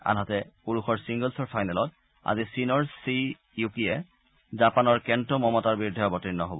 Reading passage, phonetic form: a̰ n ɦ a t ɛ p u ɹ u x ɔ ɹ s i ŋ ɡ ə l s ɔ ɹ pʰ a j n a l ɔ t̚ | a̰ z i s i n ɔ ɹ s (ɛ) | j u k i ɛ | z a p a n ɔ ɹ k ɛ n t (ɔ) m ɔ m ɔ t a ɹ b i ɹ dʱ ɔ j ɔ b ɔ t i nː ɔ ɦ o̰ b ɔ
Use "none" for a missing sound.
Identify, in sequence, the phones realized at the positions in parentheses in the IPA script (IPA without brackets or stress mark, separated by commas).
i, ɔ